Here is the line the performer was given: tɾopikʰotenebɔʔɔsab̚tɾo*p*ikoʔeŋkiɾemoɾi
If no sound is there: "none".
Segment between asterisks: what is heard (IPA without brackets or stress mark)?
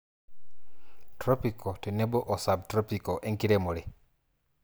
p